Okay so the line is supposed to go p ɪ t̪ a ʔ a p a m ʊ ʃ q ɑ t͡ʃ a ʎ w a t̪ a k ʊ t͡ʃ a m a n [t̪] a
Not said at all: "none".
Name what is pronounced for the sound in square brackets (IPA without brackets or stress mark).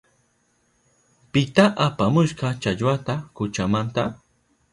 t̪